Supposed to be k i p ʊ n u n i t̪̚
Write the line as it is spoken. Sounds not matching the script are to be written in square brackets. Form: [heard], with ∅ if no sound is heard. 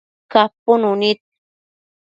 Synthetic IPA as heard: k [a] p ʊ n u n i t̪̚